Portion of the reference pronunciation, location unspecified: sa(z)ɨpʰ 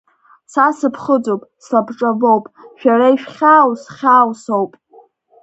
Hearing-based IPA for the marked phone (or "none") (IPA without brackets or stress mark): s